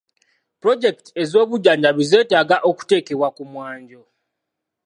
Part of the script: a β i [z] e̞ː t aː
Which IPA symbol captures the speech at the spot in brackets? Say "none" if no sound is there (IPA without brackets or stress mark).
z